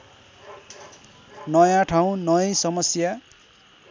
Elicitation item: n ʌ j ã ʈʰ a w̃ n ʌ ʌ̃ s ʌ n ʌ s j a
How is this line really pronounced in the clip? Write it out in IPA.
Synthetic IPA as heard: n ʌ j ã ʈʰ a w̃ n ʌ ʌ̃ s ʌ m ʌ s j a